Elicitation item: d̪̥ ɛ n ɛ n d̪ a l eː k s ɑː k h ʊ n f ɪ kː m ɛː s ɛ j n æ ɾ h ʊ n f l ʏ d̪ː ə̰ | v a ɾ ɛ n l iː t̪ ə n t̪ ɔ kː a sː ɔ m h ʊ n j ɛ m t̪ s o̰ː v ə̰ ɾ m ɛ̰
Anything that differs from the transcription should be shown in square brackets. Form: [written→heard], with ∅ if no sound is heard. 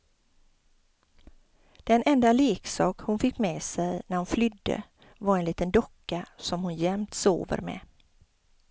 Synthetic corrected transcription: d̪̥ ɛ n ɛ n d̪ a l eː k s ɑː k h ʊ n f ɪ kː m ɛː s ɛ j n æ ɾ h ʊ n f l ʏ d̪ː ə̰ | v a ɾ ɛ n l iː t̪ ə n [t̪→d̪] ɔ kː a [sː→s] ɔ m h ʊ n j ɛ m t̪ s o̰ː v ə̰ ɾ m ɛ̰